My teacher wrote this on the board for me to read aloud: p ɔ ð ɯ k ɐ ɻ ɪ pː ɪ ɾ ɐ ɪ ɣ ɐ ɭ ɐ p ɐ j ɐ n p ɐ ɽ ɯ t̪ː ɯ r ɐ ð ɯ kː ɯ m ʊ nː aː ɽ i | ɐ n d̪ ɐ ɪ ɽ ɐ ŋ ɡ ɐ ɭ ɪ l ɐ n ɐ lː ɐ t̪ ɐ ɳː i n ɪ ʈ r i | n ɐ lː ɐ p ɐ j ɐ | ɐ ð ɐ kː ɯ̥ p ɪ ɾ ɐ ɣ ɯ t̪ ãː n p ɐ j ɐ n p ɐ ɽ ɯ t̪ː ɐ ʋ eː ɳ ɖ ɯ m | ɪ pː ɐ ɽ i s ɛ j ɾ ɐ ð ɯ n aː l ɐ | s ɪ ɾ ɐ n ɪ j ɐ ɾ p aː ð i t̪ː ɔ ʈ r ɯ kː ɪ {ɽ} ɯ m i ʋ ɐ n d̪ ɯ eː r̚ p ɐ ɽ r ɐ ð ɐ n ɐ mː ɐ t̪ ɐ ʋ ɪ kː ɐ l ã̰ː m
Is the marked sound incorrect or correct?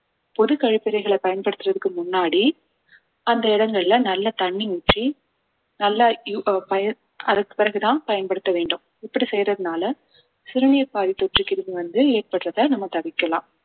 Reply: incorrect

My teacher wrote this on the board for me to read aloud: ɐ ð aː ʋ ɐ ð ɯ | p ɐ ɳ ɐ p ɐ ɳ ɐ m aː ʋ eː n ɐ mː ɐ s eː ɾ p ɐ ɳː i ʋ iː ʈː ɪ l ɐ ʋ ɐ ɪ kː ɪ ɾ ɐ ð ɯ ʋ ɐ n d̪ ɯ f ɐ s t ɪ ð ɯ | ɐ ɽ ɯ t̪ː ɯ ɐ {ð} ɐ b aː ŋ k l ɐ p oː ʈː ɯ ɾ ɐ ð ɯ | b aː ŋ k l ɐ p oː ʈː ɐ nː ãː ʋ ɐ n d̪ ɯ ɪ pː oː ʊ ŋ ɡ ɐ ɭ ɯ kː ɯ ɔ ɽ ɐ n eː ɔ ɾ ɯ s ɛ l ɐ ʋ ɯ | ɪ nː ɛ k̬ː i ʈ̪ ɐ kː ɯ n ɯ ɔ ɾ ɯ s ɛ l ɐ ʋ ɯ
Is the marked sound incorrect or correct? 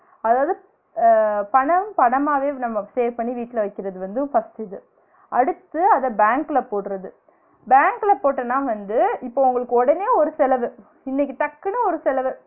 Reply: correct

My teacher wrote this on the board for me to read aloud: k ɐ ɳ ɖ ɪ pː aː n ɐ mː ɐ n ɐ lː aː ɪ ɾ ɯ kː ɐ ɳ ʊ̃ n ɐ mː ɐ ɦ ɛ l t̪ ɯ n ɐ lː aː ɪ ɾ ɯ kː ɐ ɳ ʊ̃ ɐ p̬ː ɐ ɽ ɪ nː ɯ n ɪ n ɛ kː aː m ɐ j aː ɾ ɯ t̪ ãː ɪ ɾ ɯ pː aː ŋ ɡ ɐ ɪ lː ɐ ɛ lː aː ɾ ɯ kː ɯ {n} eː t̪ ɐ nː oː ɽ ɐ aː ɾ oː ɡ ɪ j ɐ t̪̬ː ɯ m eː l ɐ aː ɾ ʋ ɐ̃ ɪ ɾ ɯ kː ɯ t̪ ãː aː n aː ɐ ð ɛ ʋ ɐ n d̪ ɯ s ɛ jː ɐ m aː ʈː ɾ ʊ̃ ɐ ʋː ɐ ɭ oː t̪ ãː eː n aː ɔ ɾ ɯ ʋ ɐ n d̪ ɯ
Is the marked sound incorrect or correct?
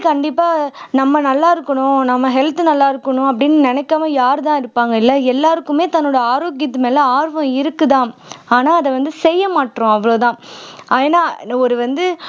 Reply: incorrect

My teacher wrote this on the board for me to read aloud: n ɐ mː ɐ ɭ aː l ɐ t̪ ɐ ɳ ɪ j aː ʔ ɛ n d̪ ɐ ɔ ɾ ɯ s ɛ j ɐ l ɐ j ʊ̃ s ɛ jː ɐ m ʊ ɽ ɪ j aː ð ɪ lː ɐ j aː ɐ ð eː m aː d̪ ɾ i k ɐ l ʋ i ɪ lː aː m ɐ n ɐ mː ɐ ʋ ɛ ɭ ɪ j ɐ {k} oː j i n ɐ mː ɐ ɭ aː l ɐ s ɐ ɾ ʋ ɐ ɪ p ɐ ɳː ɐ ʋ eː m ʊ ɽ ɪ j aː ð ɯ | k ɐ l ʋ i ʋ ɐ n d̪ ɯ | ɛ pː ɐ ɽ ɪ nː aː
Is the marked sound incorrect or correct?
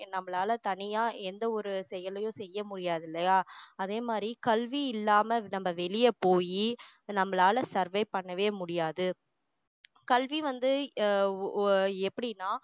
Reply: incorrect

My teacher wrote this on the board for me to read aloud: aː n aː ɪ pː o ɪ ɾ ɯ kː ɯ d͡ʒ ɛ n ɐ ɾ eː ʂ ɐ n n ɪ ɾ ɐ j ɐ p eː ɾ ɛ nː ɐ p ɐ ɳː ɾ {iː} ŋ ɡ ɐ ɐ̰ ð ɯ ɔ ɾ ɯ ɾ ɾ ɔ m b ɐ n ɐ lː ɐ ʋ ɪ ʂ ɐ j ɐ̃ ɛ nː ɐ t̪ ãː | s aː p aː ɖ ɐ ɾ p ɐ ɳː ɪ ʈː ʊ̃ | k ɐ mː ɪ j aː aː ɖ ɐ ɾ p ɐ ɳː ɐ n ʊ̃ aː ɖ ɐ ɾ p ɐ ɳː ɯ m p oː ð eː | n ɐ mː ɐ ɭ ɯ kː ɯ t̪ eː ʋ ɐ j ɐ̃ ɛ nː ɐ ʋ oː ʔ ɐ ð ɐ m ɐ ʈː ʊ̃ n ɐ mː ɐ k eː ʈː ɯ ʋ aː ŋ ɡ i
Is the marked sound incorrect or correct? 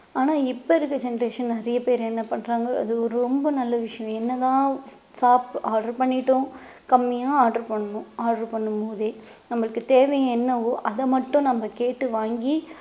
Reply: incorrect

